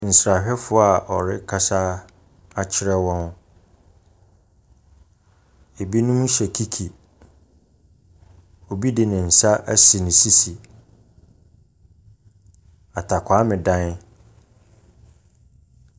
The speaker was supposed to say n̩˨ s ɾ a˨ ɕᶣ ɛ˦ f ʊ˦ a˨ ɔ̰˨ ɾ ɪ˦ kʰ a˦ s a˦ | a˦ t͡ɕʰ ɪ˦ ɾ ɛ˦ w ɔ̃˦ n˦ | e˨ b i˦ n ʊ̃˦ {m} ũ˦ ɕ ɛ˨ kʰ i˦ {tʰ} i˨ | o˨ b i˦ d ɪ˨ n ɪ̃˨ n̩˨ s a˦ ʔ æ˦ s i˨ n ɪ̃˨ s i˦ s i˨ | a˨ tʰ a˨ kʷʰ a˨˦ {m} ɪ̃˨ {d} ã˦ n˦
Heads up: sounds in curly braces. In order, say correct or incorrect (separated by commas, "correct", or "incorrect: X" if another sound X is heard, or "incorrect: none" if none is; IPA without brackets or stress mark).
correct, incorrect: kʰ, correct, correct